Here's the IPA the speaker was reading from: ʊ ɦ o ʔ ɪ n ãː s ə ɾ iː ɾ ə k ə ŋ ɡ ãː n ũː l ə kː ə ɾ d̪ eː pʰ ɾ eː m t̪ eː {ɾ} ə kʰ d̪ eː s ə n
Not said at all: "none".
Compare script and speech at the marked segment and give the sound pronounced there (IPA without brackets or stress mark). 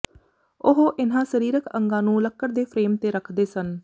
ɾ